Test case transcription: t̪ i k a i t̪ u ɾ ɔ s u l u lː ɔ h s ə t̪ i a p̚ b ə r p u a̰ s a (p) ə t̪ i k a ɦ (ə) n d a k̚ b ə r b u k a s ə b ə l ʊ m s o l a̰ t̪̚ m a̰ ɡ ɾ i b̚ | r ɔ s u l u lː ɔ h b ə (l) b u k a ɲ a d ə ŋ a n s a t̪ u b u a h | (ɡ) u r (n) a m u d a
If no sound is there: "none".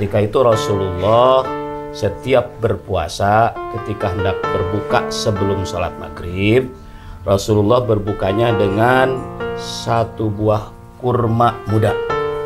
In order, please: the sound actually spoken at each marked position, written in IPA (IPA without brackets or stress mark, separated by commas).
k, ə, r, k, m